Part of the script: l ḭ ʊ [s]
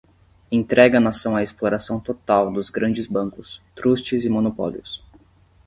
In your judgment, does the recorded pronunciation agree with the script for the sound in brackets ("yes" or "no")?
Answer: yes